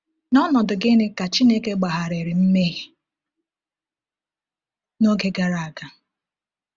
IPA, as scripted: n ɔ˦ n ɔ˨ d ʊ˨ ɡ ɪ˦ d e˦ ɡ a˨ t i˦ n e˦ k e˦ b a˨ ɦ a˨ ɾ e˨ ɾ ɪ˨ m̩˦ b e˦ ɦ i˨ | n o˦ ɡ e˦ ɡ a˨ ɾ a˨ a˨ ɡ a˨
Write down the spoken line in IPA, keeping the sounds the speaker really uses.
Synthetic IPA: n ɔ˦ n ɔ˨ d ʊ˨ ɡ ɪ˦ n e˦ k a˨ t͡ʃ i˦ n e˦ k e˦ ɡ͡b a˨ ɦ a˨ ɾ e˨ ɾ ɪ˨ m̩˦ m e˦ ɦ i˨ | n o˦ ɡ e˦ ɡ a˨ ɾ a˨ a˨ ɡ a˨